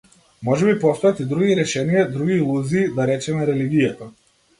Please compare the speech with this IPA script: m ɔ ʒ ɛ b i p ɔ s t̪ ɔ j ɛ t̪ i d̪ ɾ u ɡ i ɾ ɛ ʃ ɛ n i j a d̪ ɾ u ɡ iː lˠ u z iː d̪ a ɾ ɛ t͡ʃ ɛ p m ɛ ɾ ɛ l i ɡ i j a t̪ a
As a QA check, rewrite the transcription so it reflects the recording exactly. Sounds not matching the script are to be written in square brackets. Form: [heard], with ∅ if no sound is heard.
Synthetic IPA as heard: m ɔ ʒ ɛ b i p ɔ s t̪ ɔ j [a] t̪ i d̪ ɾ u ɡ i ɾ ɛ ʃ ɛ n i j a d̪ ɾ u ɡ iː lˠ u z iː d̪ a ɾ ɛ t͡ʃ ɛ [∅] m ɛ ɾ ɛ l i ɡ i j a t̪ a